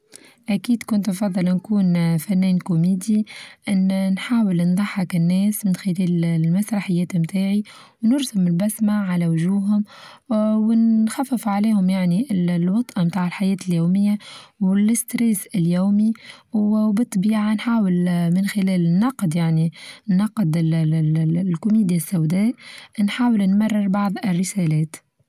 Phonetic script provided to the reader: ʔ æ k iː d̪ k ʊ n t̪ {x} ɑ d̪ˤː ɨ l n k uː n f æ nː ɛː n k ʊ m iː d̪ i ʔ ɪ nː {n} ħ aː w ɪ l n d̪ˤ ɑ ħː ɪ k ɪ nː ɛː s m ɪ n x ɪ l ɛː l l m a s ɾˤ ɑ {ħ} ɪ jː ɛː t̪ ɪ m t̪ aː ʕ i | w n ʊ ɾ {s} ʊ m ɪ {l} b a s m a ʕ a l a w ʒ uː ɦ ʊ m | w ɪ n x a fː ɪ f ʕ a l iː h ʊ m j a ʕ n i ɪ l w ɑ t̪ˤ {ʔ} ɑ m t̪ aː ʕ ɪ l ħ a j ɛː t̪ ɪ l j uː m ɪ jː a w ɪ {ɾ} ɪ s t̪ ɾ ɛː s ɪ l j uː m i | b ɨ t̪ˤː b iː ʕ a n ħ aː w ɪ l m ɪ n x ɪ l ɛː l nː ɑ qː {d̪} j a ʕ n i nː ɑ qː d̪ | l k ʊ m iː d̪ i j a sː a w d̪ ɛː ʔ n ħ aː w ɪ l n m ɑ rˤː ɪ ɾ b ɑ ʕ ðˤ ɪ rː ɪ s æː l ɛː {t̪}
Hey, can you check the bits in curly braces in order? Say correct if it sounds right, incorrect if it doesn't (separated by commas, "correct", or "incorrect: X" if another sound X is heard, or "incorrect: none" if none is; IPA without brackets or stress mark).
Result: incorrect: f, correct, correct, correct, correct, correct, incorrect: l, correct, correct